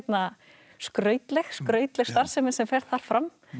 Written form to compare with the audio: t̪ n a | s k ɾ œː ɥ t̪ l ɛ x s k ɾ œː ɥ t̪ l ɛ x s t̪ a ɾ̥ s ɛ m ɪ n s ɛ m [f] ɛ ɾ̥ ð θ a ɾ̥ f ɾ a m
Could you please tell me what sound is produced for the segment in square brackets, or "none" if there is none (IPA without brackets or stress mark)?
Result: f